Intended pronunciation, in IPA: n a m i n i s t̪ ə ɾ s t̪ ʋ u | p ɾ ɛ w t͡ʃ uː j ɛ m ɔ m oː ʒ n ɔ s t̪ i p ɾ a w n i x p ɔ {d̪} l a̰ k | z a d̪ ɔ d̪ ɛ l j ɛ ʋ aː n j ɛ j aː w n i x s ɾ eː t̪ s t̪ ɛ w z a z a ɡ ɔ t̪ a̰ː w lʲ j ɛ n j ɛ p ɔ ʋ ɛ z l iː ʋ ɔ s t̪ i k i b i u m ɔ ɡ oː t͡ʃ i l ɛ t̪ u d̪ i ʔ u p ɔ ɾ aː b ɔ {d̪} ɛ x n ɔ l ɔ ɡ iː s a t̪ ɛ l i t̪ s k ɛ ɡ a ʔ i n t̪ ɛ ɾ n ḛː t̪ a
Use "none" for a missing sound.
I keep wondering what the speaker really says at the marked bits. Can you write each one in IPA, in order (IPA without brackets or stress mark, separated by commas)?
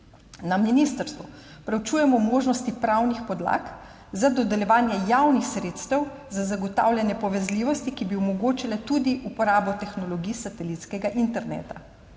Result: d̪, t̪